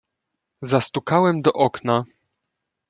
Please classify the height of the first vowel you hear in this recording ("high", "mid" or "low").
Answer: low